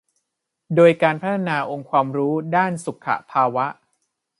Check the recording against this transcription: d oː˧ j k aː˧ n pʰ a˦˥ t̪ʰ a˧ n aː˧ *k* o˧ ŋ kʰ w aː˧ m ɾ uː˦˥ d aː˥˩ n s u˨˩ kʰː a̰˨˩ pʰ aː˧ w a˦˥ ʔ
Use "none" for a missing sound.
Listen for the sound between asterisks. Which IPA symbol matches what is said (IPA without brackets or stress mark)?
ʔ